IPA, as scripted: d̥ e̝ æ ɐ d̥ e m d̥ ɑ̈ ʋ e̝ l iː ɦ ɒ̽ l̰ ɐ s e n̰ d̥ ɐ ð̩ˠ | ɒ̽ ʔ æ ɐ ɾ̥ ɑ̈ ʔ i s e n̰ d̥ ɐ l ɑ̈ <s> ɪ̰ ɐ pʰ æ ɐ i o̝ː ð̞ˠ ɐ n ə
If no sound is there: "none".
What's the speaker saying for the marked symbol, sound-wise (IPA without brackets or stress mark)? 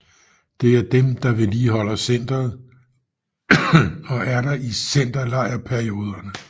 none